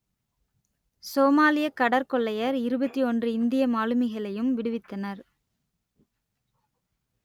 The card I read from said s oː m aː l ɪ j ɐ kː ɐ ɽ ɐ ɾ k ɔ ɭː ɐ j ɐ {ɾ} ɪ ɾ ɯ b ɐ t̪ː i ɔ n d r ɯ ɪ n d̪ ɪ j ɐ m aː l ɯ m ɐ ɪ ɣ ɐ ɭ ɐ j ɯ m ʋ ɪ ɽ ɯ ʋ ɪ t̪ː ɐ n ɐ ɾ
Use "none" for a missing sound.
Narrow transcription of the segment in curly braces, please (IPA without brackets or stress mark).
ɾ